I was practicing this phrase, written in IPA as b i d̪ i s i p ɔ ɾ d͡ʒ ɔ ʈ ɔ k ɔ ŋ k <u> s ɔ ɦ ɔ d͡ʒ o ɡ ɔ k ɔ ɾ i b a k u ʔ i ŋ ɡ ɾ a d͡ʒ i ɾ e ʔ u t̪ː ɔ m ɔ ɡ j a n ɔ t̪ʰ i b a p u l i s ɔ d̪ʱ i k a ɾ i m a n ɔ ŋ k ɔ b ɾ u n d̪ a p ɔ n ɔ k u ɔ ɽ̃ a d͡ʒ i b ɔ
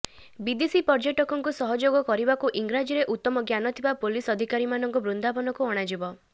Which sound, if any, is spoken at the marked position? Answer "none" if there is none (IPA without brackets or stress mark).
u